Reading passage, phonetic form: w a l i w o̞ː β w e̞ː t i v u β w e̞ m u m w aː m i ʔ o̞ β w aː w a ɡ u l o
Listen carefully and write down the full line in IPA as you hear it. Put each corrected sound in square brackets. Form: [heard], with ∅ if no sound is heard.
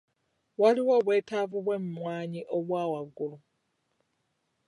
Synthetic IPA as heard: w a l i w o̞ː β w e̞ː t [a] v u β w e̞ m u m w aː [ɲ] i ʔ o̞ β w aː w a ɡ u l [u]